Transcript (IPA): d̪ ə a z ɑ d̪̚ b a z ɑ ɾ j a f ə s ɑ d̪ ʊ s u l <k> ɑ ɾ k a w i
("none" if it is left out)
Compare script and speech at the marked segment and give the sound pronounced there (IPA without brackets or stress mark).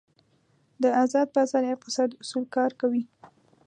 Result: k